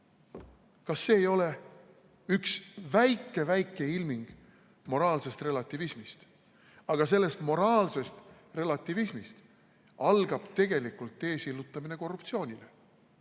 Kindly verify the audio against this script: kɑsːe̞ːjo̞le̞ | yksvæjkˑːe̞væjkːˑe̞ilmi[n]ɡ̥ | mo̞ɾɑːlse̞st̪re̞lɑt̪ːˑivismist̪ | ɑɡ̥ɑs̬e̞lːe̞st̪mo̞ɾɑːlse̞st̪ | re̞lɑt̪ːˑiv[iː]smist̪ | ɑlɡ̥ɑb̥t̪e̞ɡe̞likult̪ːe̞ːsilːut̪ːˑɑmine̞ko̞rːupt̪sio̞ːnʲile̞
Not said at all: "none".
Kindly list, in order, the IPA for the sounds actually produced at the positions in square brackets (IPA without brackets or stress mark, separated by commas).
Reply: ŋ, i